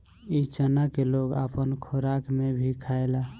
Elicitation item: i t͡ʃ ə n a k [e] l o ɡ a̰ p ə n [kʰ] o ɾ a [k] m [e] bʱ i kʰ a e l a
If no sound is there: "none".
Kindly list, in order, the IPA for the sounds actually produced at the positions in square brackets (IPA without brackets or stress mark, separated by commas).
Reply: e, kʰ, k, e